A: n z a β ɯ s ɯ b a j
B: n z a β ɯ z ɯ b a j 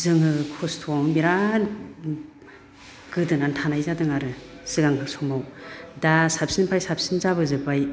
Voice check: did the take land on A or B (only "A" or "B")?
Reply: B